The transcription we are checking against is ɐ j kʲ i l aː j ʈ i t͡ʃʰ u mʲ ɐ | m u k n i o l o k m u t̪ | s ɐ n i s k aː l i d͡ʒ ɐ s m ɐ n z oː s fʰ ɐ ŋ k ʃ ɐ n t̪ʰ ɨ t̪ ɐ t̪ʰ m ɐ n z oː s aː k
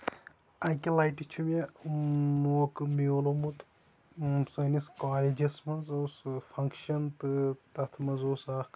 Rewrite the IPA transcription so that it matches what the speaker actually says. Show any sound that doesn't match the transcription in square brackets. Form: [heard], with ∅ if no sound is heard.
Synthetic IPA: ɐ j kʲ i l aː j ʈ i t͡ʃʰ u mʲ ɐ | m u k [m] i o l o [∅] m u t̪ | s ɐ n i s k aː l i d͡ʒ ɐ s m ɐ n z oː s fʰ ɐ ŋ k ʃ ɐ n [t̪] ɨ t̪ ɐ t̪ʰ m ɐ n z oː s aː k